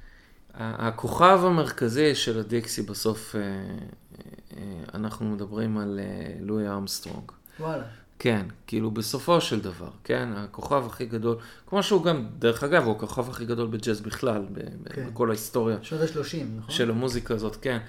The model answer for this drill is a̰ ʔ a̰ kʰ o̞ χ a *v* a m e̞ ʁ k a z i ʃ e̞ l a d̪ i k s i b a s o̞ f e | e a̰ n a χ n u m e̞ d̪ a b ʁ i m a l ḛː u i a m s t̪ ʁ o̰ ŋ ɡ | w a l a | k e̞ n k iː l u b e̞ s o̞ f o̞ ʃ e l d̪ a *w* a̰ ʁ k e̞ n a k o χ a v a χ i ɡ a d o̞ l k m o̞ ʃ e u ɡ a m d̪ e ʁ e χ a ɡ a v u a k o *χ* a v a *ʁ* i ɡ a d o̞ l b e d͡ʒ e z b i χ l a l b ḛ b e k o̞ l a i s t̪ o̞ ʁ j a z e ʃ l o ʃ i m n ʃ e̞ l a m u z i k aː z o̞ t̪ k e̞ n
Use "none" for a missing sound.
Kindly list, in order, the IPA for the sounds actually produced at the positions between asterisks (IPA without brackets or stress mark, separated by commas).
v, v, χ, χ